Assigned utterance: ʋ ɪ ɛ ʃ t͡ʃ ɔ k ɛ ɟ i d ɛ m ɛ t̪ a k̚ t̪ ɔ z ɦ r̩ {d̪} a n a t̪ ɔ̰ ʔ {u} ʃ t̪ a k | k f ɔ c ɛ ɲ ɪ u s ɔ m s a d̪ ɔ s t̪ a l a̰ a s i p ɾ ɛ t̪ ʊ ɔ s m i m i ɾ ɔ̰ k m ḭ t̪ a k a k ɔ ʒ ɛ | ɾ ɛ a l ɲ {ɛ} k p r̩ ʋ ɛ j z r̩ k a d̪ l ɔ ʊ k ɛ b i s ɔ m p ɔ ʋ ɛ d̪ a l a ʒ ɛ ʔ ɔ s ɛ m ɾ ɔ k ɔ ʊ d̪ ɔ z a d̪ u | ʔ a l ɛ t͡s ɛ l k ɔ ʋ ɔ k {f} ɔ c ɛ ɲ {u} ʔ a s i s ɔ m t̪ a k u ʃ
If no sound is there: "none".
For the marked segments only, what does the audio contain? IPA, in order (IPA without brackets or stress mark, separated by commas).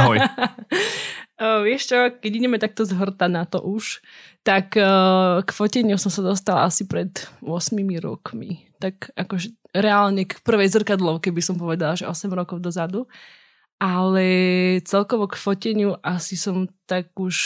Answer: t̪, u, ɛ, f, u